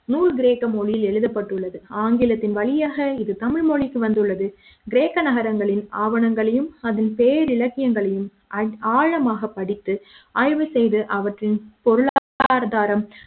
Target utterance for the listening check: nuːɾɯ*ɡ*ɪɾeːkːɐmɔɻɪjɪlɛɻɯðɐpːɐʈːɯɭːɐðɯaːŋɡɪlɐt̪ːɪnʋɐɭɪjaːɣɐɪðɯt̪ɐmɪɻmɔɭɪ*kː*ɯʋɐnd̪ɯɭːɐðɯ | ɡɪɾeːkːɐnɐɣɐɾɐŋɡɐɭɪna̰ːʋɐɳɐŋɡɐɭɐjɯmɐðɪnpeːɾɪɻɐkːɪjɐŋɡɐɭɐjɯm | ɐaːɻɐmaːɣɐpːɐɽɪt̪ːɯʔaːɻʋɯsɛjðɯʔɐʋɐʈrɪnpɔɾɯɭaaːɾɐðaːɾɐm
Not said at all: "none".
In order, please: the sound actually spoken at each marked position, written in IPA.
ɡ, kː

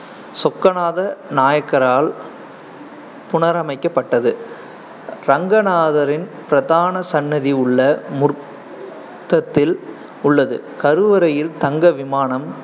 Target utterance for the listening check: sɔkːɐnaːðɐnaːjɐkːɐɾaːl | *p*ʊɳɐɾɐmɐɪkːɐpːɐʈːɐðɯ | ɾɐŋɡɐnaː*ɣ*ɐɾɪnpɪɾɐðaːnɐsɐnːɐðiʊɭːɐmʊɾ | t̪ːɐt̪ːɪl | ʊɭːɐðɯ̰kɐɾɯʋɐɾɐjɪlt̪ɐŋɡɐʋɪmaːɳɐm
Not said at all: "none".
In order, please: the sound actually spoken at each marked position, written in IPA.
p, ð

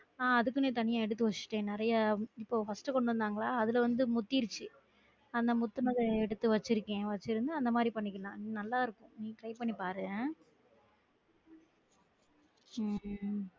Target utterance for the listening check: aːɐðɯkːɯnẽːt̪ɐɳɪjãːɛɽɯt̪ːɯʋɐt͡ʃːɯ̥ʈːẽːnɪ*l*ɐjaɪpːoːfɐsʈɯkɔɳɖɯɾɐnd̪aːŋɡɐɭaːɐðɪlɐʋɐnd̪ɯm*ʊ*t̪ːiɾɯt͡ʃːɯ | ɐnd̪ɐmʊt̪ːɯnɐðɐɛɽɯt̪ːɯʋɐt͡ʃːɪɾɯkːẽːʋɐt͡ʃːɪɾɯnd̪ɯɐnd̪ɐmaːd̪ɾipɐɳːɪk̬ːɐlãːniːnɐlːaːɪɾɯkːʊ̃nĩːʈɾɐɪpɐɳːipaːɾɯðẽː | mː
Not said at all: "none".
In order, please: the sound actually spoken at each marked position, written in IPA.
ɾ, ʊ

